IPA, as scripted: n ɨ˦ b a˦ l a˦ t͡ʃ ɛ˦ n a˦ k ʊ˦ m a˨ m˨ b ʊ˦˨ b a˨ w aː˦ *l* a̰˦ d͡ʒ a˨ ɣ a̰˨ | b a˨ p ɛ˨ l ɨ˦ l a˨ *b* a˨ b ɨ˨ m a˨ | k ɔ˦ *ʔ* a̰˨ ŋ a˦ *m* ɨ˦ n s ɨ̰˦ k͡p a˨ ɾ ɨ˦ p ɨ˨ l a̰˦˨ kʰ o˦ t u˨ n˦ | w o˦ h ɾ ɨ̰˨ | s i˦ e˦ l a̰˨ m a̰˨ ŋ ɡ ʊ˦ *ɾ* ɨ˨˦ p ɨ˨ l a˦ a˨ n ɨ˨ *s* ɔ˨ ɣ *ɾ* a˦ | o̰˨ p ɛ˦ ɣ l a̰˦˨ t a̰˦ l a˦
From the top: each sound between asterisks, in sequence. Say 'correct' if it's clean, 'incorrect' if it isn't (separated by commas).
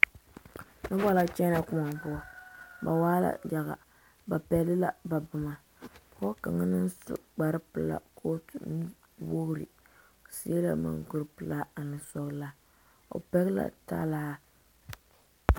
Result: correct, correct, incorrect, incorrect, correct, correct, incorrect